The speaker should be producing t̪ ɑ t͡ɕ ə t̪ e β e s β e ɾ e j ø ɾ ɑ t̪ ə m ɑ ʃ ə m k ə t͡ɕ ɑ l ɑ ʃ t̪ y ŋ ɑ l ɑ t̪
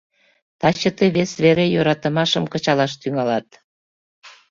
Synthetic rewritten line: t̪ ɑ t͡ɕ ə t̪ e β e s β e ɾ e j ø ɾ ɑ t̪ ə m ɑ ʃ ə m k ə t͡ɕ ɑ l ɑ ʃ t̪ y ŋ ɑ l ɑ t̪